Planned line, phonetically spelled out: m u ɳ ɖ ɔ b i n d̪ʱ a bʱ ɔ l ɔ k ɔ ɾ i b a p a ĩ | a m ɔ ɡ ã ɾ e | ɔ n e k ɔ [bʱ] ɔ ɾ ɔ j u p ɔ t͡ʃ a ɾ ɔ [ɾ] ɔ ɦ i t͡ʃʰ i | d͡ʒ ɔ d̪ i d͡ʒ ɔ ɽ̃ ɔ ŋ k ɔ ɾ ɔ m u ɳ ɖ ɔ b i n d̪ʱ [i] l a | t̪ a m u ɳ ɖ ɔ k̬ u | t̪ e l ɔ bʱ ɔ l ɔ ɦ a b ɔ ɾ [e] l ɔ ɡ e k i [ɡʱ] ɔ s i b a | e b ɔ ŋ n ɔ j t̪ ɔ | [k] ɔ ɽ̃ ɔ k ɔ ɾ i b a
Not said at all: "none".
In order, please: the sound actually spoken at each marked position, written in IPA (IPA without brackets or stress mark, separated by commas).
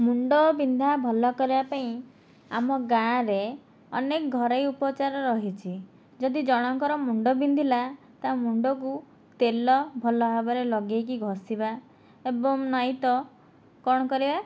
ɡʱ, ɾ, i, e, ɡʱ, k